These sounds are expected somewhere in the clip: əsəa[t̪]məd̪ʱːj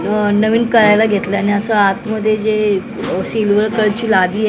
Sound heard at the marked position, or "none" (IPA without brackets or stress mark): t̪